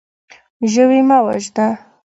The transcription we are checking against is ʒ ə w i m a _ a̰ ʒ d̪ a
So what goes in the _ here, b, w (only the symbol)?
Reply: w